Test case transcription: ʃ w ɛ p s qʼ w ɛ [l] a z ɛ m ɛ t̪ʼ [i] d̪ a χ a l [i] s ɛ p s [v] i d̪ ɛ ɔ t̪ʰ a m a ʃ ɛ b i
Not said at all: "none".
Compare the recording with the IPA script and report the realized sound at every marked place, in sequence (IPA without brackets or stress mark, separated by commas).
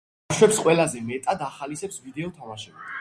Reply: l, a, i, v